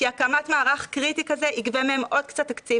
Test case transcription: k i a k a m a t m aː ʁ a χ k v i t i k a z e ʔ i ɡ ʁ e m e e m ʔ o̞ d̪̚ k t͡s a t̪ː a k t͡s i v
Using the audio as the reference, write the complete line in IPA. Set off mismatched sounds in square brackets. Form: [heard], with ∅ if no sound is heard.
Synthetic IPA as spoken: k i a k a m a t m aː ʁ a χ k [ʁ] i t i k a z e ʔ i ɡ [v] e m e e m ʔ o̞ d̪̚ k t͡s a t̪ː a k t͡s i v